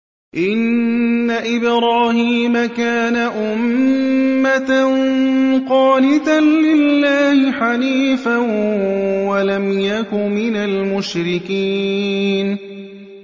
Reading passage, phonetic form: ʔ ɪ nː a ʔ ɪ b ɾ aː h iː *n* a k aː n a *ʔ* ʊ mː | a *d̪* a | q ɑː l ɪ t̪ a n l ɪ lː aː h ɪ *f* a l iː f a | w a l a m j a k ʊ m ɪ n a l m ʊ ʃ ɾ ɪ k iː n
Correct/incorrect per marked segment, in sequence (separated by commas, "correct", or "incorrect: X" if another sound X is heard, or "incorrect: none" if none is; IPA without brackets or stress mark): incorrect: m, correct, incorrect: t̪, incorrect: ħ